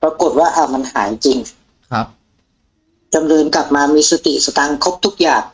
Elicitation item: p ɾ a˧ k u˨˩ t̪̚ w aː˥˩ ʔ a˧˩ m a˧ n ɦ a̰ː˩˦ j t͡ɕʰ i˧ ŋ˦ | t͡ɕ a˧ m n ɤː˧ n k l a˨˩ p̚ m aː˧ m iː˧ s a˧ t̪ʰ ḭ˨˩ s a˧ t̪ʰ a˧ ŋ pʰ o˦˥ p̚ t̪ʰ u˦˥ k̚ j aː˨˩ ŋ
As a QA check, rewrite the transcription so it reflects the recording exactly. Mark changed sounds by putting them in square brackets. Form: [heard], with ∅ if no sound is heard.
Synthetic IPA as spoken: p ɾ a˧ k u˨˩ t̪̚ w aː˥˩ ʔ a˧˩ m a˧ n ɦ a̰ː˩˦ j [t͡ɕ] i˧ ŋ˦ | t͡ɕ a˧ m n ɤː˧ n k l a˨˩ p̚ m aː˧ m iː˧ s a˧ [t̪] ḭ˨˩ s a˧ [t̪] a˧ ŋ [kʰ] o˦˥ p̚ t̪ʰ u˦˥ k̚ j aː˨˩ ŋ